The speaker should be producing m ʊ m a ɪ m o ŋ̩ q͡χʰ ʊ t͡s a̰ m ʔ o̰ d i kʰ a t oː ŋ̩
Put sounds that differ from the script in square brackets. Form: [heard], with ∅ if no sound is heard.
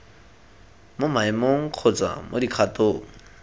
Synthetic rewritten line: m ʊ m a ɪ m o ŋ̩ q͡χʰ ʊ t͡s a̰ m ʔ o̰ d i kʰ a t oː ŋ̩